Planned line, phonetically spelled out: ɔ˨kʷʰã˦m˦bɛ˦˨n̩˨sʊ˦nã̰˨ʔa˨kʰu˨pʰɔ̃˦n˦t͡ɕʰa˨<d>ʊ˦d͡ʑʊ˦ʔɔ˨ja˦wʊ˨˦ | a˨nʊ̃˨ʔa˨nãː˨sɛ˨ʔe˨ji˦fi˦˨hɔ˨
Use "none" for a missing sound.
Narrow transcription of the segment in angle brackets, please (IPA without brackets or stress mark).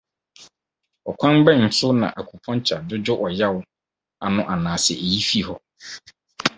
d